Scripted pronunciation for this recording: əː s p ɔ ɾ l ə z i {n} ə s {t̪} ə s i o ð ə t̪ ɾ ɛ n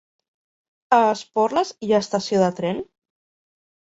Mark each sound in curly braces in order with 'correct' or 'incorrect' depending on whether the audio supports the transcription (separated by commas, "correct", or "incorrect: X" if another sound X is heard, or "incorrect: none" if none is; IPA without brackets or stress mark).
incorrect: none, correct